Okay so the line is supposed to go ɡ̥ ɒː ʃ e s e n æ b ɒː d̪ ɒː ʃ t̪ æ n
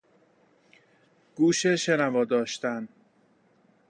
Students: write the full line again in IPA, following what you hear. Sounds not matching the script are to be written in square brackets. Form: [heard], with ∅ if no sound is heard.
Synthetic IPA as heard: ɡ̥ [uː] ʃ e [ʃ] e n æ [v] ɒː d̪ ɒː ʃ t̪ æ n